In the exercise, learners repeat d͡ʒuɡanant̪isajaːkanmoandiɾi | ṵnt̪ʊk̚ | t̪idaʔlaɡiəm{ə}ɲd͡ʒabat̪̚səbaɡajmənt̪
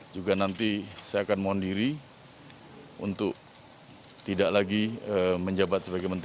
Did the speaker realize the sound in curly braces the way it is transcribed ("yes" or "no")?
yes